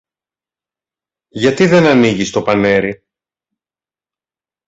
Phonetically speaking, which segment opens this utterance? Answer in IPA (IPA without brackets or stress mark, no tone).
ʝ